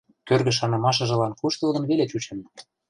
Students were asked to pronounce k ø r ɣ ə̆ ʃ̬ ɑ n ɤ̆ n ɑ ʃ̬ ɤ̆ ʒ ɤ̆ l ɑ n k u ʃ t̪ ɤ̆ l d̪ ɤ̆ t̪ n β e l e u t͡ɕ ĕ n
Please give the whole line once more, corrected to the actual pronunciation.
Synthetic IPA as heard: k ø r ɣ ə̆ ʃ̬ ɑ n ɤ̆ m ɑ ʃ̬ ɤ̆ ʒ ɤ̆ l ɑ n k u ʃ t̪ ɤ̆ l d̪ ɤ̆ n β e l e u t͡ɕ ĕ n